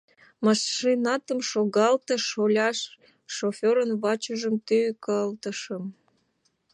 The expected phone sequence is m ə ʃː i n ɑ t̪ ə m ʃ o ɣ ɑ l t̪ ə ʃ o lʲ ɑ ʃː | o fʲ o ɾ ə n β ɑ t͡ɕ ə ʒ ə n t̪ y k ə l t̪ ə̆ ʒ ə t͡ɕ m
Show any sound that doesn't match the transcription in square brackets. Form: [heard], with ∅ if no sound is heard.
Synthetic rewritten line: m [ɑ] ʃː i n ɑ t̪ ə m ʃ o ɣ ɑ l t̪ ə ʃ o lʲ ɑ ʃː | o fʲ o ɾ ə n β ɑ t͡ɕ ə ʒ ə [m] t̪ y k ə l t̪ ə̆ [ʃ] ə [∅] m

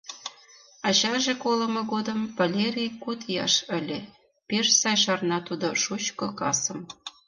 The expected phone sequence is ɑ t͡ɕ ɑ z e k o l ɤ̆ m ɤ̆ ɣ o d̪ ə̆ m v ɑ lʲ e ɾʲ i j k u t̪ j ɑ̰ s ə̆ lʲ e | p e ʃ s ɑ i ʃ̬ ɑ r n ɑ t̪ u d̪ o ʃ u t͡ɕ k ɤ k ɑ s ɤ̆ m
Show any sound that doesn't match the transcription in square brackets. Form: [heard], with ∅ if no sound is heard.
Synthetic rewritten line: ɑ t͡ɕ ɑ [ʒ] e k o l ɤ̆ m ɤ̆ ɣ o d̪ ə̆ m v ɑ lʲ e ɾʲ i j k u t̪ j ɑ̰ [ʃ] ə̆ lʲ e | p e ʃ s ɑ [j] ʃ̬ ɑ r n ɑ t̪ u d̪ o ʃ u t͡ɕ k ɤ k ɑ s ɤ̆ m

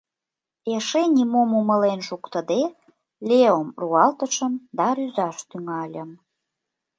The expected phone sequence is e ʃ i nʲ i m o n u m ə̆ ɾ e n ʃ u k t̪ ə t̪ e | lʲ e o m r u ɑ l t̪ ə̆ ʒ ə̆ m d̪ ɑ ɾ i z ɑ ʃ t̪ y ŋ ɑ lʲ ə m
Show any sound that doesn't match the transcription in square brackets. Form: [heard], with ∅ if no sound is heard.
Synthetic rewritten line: e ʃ [e] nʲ i m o [m] u m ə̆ [l] e n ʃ u k t̪ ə [d̪] e | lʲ e o m r u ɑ l t̪ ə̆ [ʃ] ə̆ m d̪ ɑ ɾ [y] z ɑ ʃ t̪ y ŋ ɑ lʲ ə m

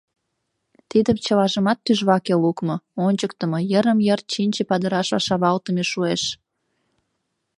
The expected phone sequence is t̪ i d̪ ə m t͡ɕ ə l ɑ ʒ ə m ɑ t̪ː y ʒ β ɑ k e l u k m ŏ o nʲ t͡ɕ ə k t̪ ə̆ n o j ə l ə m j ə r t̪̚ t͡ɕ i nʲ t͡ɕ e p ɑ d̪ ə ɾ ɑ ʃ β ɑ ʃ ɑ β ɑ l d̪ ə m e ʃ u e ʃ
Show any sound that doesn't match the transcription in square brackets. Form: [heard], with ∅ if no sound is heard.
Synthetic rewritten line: t̪ i d̪ ə m t͡ɕ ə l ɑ ʒ ə m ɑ t̪ː y ʒ β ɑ k e l u k m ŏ o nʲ t͡ɕ ə k t̪ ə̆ [m] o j ə [ɾ] ə m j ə r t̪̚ t͡ɕ i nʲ t͡ɕ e p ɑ d̪ ə ɾ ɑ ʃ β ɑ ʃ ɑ β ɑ l [t̪] ə m e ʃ u e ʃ

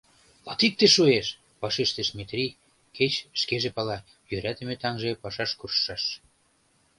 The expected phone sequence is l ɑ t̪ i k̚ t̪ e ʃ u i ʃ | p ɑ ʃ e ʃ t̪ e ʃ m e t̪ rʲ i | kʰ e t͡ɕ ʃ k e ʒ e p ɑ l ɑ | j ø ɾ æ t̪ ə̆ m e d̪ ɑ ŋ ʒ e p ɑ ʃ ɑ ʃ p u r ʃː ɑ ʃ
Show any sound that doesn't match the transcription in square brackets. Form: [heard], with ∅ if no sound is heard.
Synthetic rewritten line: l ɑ t̪ i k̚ t̪ e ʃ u [e] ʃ | p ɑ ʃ e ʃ t̪ e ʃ m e t̪ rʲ i | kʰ e t͡ɕ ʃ k e ʒ e p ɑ l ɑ | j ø ɾ æ t̪ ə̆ m e [t̪] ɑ ŋ ʒ e p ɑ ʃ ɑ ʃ [k] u r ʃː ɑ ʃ

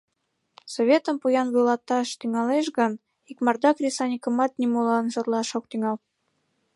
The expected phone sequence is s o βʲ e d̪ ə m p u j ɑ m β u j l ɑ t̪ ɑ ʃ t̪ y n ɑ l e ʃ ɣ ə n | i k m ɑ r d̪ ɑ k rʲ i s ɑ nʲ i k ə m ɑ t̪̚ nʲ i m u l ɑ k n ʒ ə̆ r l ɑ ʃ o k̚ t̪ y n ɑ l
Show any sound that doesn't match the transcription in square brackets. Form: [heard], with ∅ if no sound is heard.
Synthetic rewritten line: s o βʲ e [t̪] ə m p u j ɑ [n] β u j l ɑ t̪ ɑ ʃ t̪ y [ŋ] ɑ l e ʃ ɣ ə n | i k m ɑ r d̪ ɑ k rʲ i s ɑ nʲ i k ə m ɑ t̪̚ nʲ i m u l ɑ [∅] n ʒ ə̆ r l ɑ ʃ o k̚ t̪ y [ŋ] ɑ l

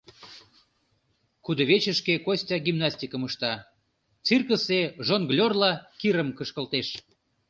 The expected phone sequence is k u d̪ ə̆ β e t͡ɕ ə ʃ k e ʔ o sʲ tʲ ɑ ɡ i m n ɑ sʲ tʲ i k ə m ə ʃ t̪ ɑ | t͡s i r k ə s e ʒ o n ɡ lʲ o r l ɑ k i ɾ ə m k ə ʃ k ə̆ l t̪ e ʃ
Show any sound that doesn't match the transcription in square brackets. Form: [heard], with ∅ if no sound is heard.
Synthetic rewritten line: k u d̪ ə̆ β e t͡ɕ ə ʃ k e [k] o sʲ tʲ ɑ ɡ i m n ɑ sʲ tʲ i k ə m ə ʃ t̪ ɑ | t͡s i r k ə s e ʒ o n ɡ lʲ o r l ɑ k i ɾ ə m k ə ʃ k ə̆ l t̪ e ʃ

